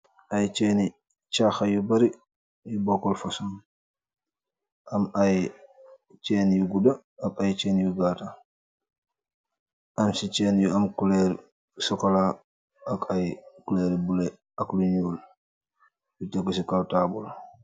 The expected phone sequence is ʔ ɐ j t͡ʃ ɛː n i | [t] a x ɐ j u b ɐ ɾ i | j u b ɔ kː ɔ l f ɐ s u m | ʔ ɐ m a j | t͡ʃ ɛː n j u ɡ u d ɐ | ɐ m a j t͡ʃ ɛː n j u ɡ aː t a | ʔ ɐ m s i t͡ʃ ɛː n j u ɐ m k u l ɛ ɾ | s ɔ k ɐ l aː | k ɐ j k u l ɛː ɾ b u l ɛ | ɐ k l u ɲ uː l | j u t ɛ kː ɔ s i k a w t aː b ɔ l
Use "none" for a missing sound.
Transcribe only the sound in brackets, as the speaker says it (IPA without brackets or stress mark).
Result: t͡ʃ